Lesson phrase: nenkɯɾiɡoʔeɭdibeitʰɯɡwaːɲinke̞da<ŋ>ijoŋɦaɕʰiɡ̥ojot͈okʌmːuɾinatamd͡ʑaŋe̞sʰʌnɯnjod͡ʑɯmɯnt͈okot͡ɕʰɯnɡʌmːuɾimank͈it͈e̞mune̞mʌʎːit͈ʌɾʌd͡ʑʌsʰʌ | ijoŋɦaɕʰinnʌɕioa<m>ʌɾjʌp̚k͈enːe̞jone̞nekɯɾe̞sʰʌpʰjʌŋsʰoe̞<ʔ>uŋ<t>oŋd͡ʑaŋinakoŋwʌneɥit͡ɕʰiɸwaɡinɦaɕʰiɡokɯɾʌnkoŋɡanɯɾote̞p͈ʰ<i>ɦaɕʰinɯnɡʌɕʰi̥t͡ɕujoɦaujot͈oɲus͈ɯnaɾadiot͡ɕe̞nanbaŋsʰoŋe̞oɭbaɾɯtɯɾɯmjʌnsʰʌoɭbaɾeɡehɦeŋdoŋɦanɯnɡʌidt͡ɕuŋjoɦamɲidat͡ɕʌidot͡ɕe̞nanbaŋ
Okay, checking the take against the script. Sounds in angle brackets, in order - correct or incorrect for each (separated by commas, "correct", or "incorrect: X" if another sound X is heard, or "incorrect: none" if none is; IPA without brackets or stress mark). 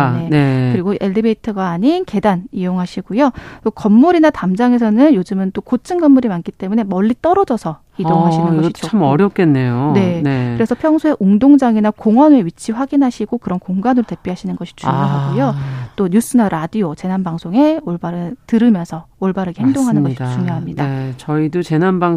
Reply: incorrect: n, correct, correct, incorrect: d, correct